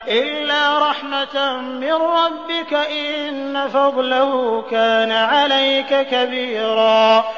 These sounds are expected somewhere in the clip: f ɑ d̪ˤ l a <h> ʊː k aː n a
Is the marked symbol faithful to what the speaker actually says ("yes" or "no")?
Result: yes